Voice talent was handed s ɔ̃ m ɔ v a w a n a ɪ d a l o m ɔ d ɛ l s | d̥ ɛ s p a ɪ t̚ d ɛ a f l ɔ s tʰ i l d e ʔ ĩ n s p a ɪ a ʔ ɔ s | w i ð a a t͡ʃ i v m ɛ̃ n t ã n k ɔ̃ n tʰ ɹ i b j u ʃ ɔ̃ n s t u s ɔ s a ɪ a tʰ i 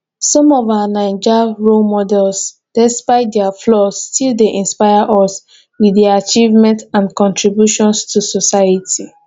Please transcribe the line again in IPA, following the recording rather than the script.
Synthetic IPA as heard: s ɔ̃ m ɔ v a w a n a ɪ d͡ʒ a ɹ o m ɔ d ɛ l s | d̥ ɛ s p a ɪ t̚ d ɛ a f l ɔ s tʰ i l d e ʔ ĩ n s p a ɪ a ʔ ɔ s | w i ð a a t͡ʃ i v m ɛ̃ n t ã n k ɔ̃ n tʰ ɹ i b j u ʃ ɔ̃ n s t u s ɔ s a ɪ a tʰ i